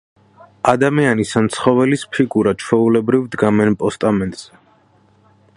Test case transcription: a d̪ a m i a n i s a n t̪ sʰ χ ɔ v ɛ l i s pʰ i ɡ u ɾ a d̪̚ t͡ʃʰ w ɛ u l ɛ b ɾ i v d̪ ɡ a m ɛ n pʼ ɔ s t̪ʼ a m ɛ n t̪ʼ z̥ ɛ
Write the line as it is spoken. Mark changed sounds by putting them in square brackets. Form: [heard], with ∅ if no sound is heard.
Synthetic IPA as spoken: a d̪ a m i a n i s a n t̪ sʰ χ ɔ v ɛ l i s pʰ i ɡ u ɾ a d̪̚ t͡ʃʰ w ɛ u l ɛ b ɾ i v d̪ ɡ a m ɛ n pʼ ɔ s t̪ʼ a m ɛ n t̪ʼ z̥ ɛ